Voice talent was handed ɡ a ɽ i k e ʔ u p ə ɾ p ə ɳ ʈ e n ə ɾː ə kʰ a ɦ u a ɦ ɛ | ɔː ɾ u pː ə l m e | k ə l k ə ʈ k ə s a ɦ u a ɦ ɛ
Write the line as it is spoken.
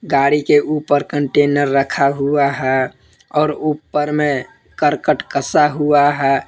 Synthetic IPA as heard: ɡ a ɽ i k e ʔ u p ə ɾ k ə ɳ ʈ e n ə ɾː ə kʰ a ɦ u a ɦ ɛ | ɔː ɾ u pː ə ɾ m e | k ə ɾ k ə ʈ k ə s a ɦ u a ɦ ɛ